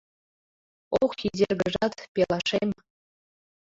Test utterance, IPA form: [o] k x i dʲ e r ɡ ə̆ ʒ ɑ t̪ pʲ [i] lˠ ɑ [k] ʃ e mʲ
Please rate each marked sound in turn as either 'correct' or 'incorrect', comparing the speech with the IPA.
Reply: correct, incorrect: e, incorrect: none

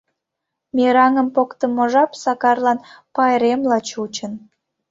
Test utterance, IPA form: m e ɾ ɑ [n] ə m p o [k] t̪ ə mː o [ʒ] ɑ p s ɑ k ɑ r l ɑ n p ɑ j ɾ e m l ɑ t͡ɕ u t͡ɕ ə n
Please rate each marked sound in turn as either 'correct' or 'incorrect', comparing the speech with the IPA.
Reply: incorrect: ŋ, correct, correct

